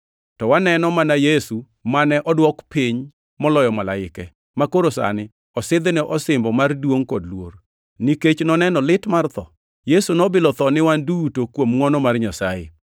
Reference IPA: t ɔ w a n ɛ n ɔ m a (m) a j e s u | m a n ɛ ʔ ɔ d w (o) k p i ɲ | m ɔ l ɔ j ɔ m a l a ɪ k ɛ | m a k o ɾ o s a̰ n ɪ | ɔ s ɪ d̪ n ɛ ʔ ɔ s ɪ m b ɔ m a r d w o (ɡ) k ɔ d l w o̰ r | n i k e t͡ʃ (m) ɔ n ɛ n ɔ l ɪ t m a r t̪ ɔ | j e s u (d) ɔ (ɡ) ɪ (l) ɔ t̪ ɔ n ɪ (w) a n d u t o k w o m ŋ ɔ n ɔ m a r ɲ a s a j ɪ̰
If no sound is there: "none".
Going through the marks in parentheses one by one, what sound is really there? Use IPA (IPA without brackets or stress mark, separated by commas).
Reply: n, ɔ, ŋ, n, n, b, l, w